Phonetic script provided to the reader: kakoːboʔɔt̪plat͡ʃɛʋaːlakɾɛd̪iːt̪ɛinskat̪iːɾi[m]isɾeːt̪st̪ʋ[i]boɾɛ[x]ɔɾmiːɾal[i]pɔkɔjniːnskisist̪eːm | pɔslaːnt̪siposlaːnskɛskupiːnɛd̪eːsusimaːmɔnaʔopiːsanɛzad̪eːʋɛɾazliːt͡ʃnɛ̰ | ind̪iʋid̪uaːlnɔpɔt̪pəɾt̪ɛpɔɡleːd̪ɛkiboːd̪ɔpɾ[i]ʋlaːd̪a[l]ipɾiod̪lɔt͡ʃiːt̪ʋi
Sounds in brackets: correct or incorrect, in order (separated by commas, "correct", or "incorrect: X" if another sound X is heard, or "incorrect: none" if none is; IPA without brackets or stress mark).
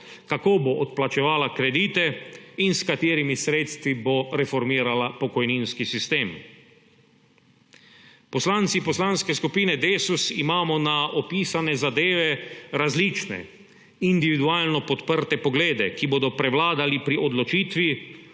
correct, correct, incorrect: f, incorrect: a, incorrect: ɛ, correct